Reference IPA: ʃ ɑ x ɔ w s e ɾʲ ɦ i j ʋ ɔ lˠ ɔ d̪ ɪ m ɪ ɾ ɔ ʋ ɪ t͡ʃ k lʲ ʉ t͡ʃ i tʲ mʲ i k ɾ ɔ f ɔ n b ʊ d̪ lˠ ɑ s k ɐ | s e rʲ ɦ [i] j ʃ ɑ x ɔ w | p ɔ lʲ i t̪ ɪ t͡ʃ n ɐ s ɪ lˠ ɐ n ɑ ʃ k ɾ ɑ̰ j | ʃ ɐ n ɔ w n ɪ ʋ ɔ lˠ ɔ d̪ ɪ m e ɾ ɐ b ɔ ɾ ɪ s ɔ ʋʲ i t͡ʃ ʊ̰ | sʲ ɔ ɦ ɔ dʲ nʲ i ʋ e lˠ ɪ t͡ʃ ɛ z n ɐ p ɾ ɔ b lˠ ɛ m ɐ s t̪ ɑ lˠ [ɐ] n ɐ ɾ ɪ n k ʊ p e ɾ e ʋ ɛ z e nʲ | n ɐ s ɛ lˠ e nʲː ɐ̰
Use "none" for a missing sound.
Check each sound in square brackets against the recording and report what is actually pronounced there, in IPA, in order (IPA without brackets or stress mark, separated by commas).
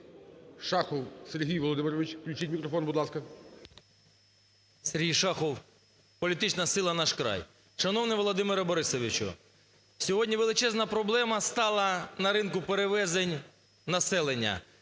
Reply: i, ɐ